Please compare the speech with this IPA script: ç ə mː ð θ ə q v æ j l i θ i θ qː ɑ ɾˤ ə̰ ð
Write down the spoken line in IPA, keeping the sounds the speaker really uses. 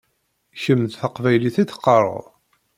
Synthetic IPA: ç ə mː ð θ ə q v æ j l i θ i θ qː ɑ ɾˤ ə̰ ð